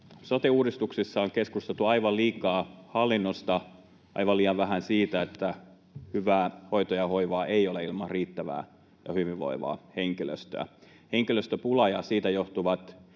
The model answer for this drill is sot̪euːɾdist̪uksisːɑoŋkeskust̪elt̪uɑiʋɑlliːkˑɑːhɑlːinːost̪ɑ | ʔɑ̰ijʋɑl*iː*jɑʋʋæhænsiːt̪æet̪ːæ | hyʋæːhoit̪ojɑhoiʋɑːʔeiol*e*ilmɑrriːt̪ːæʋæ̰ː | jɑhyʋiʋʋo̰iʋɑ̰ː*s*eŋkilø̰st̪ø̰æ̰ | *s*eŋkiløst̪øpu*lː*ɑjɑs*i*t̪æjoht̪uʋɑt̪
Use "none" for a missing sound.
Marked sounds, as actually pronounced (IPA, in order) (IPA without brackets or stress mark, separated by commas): iː, e, h, h, l, iː